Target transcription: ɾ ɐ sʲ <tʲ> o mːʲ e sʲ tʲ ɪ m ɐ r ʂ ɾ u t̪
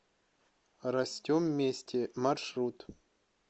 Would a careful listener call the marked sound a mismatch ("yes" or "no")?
no